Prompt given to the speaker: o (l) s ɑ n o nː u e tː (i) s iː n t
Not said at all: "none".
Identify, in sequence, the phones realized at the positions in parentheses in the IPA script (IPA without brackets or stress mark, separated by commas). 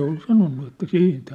l, æ